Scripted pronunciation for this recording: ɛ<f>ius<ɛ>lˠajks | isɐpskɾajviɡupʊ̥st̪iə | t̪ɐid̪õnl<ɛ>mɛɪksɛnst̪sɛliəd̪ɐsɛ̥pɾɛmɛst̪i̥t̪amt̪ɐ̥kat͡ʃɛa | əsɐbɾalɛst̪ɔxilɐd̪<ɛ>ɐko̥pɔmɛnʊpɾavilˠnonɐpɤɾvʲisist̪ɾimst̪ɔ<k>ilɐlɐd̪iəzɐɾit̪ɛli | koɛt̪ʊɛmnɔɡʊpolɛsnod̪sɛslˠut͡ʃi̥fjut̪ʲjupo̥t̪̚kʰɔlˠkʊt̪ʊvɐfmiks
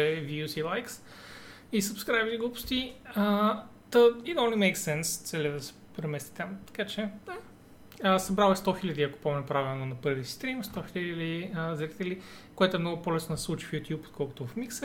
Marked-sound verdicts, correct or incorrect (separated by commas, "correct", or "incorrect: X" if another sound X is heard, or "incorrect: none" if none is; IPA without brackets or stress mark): incorrect: v, incorrect: i, incorrect: i, incorrect: i, incorrect: x